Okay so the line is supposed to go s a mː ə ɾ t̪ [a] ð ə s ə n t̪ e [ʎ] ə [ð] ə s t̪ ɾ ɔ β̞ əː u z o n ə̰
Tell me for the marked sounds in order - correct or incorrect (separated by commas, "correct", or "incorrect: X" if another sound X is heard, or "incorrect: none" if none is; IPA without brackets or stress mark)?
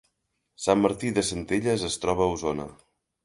incorrect: i, correct, incorrect: z